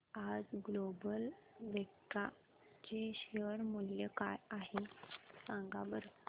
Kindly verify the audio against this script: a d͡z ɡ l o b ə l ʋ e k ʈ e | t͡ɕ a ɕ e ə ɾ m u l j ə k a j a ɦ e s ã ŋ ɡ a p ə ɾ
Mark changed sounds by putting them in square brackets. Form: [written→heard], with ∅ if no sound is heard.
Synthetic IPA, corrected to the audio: a d͡z ɡ l o b ə l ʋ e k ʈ [e→a] | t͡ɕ [a→e] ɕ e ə ɾ m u l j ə k a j a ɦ e s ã ŋ ɡ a [p→b] ə ɾ